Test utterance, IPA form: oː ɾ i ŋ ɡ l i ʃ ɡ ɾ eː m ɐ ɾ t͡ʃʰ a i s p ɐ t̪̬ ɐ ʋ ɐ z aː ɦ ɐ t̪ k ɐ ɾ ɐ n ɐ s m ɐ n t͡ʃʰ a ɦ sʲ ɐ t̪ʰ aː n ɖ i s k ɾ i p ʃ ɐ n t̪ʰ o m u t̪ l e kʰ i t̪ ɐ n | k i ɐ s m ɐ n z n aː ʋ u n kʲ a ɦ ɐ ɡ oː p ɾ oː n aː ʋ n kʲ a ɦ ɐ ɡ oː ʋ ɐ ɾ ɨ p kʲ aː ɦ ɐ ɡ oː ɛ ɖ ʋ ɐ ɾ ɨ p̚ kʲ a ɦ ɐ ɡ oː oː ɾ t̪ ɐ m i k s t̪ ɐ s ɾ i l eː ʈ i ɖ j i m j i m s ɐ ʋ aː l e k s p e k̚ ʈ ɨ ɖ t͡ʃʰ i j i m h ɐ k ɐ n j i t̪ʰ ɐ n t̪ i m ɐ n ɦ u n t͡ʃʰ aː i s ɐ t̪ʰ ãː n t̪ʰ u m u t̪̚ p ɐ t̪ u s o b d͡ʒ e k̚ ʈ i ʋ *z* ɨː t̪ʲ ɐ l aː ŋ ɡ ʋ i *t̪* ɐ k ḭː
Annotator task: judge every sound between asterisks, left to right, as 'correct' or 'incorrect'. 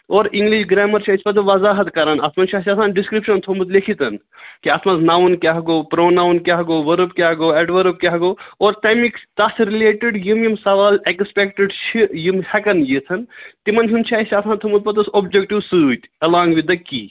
incorrect, incorrect

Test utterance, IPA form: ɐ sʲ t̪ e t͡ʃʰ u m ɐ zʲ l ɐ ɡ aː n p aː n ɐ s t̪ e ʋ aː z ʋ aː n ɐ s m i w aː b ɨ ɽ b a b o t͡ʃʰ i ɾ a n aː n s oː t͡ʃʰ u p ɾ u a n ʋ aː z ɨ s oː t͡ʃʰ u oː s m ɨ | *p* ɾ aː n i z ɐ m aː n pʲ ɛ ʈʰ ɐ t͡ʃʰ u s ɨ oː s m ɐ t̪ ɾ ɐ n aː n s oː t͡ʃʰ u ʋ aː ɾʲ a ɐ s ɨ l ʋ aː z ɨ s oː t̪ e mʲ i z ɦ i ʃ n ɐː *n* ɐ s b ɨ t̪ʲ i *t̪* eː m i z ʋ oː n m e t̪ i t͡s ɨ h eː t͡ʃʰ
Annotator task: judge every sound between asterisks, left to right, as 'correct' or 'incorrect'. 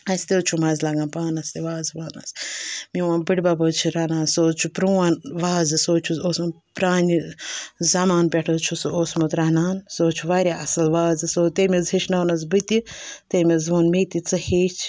correct, correct, correct

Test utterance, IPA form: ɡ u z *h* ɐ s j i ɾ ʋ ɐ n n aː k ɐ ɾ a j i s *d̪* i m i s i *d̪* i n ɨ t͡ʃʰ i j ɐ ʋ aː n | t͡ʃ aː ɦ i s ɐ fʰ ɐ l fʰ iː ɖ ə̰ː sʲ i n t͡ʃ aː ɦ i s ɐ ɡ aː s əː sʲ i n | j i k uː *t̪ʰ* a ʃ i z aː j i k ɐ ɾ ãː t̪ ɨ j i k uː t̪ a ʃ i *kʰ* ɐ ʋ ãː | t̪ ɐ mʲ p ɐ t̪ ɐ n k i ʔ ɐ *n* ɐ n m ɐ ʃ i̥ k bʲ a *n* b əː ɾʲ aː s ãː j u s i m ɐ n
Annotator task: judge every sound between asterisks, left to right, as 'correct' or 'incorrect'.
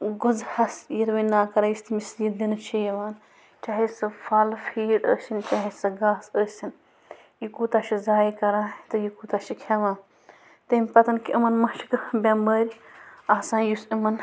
correct, incorrect, correct, incorrect, correct, incorrect, incorrect

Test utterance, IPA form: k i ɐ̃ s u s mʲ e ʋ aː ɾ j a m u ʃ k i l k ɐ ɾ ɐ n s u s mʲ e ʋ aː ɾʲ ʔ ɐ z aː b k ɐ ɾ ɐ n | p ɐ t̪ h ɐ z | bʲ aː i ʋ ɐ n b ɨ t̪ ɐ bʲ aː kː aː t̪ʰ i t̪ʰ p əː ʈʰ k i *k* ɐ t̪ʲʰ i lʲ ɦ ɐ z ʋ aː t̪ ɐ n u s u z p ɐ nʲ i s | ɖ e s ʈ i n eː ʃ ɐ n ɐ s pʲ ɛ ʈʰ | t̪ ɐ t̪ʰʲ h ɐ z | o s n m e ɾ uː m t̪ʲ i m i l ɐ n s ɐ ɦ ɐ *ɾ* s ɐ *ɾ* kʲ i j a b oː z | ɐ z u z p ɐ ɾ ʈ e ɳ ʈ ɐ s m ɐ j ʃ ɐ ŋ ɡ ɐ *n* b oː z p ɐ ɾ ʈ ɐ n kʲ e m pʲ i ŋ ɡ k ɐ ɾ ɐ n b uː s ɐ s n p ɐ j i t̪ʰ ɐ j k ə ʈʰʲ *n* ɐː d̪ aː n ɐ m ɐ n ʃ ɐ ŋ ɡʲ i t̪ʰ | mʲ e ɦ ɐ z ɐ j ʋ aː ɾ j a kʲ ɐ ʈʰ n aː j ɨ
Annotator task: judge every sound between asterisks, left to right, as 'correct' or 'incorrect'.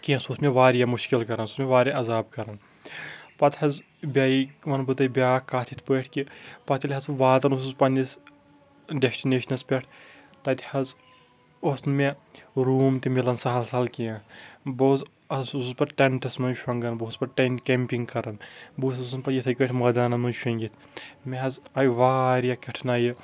incorrect, incorrect, incorrect, correct, incorrect

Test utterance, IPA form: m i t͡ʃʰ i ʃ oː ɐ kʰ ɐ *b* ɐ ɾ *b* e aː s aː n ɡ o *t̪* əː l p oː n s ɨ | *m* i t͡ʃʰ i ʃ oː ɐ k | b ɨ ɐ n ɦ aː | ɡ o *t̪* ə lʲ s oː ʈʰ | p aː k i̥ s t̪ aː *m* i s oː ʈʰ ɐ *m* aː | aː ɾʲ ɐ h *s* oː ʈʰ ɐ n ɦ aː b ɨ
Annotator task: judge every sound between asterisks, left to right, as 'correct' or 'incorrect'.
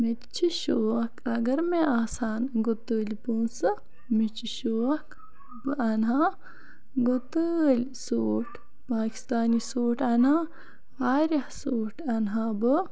incorrect, incorrect, correct, correct, correct, incorrect, incorrect, correct

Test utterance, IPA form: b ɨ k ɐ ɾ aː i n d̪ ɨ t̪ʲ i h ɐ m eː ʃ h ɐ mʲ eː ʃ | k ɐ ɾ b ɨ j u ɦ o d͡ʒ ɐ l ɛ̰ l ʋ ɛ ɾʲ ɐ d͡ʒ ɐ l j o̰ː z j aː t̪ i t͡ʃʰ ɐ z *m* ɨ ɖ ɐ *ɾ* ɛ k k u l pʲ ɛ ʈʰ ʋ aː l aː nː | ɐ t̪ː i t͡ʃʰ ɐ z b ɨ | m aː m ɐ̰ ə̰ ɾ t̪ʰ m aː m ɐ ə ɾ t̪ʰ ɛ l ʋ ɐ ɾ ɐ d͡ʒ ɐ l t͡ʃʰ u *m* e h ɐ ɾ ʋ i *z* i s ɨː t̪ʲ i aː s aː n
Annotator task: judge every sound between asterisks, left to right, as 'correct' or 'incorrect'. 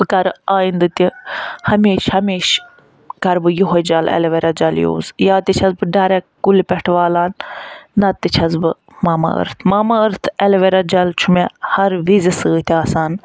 incorrect, correct, correct, correct

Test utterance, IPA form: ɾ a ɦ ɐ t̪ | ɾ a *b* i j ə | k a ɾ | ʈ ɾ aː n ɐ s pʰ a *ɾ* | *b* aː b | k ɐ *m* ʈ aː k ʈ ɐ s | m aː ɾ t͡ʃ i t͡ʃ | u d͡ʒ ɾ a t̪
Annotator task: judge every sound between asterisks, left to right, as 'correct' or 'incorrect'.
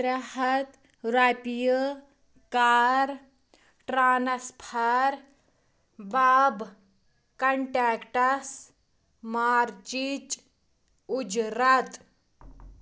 incorrect, correct, correct, incorrect

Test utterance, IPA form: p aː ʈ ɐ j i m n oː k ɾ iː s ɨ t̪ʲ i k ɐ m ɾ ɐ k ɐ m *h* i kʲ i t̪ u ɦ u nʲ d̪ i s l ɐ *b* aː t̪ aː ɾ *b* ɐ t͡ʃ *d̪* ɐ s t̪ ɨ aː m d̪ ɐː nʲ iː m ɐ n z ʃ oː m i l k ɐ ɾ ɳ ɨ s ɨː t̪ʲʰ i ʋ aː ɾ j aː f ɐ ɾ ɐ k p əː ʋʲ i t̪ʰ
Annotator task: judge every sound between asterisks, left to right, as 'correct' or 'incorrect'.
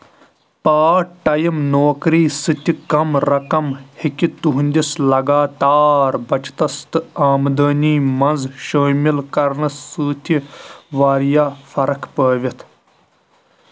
correct, incorrect, correct, incorrect

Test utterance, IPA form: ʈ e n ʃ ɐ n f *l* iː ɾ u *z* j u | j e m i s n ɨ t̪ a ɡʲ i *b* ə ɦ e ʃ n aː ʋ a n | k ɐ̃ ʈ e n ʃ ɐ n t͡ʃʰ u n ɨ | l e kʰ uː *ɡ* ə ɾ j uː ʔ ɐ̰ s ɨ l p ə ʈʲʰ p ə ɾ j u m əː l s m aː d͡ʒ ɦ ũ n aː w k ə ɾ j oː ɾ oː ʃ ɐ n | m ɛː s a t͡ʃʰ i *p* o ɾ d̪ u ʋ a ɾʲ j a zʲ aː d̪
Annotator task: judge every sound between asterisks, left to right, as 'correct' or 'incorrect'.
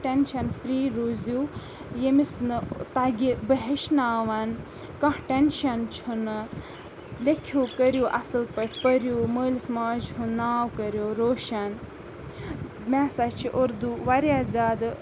incorrect, correct, correct, incorrect, incorrect

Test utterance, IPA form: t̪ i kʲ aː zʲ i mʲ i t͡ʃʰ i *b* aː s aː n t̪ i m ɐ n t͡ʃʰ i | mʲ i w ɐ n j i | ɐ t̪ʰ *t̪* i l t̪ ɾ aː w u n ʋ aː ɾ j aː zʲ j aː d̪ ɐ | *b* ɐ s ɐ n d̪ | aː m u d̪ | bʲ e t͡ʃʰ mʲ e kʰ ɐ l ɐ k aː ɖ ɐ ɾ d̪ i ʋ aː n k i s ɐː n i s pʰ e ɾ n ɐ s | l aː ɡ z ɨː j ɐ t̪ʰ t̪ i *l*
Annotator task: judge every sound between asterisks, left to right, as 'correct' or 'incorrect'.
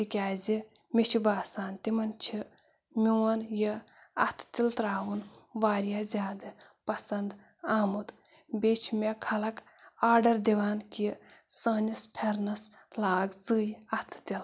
correct, correct, incorrect, correct

